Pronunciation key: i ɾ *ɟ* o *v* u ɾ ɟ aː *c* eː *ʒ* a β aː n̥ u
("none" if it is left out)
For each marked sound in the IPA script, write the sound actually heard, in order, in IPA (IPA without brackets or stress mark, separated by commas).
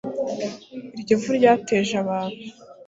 ɟ, v, t, ʒ